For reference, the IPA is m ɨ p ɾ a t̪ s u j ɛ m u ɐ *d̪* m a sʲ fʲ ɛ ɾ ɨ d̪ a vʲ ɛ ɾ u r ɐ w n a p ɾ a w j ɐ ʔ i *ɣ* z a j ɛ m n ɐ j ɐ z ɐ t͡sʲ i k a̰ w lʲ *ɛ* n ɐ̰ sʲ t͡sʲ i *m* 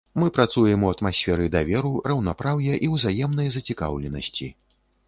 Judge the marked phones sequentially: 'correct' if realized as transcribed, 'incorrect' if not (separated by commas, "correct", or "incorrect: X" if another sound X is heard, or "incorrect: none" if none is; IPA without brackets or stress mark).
incorrect: t̪, incorrect: w, correct, incorrect: none